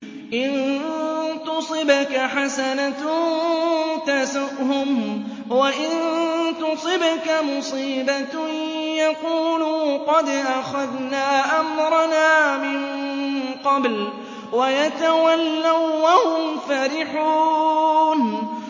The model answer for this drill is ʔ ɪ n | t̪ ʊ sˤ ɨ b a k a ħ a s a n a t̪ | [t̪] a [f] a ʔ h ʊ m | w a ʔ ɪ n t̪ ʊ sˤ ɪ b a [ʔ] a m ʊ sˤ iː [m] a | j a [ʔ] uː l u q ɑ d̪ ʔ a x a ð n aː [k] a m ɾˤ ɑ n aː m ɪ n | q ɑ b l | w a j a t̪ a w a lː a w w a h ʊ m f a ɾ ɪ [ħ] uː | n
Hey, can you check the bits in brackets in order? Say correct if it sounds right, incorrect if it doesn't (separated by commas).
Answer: correct, incorrect, incorrect, incorrect, incorrect, incorrect, correct